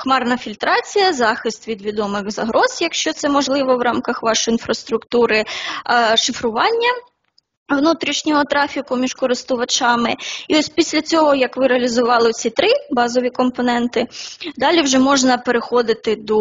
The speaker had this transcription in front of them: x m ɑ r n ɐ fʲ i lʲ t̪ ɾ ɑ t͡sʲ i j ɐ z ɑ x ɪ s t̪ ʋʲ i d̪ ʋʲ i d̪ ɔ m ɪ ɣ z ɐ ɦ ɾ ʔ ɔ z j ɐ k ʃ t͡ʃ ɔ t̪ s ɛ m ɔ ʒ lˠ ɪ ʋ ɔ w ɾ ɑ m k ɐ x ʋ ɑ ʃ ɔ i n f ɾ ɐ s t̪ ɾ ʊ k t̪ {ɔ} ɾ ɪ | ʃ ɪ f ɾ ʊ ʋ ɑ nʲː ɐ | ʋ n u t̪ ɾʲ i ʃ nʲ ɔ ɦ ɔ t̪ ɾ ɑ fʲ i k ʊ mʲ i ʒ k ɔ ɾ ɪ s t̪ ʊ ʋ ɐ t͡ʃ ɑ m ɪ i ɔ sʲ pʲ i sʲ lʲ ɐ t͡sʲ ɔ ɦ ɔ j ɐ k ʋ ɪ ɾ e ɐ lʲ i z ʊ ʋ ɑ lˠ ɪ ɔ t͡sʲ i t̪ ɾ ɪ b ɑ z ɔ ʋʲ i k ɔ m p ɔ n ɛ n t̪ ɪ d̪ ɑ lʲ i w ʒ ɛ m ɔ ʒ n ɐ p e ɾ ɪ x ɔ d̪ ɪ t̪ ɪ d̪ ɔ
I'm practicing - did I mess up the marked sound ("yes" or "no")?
yes